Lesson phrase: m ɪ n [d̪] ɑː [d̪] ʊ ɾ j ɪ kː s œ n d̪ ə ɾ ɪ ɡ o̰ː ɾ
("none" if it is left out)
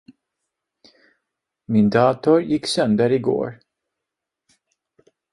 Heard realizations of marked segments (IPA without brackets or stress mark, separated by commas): d̪, t̪